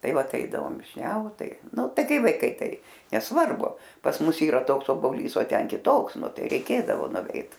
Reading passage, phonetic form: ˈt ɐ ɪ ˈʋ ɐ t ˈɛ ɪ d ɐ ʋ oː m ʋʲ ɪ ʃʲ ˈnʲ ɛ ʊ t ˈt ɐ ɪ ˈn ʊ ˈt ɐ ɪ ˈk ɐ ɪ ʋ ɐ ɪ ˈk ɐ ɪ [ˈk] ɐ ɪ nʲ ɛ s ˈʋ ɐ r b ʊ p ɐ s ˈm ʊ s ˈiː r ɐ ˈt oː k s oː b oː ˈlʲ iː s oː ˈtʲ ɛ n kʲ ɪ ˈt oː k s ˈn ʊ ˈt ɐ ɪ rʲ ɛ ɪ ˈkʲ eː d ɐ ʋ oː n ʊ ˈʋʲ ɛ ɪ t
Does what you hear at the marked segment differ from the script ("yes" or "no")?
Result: yes